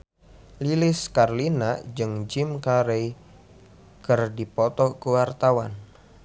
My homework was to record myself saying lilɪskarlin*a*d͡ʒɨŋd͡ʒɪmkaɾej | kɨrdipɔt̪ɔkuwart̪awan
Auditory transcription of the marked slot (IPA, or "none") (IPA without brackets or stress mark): a